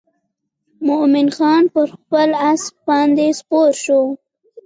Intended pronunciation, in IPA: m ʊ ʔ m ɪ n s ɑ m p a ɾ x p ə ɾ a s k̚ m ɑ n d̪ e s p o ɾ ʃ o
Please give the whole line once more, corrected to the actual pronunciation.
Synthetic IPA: m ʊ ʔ m ɪ n x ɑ n p ə ɾ x p ə l a s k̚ b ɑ n d̪ e s p o ɾ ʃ o